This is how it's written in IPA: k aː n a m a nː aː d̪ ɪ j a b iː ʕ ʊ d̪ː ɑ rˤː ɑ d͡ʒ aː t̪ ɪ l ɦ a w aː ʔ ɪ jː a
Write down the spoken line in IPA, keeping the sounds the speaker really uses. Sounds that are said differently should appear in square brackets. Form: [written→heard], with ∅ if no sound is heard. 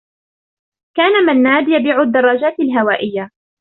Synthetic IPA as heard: k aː n a m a nː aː d̪ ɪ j a b iː ʕ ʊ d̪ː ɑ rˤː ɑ d͡ʒ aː t̪ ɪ l ɦ a w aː ʔ ɪ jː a